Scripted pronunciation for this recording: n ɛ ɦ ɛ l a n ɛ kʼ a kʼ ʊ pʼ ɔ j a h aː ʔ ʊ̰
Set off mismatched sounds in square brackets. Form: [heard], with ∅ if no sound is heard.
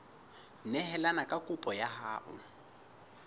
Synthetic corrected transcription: n ɛ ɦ ɛ l a n [a] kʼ a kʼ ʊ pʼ ɔ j a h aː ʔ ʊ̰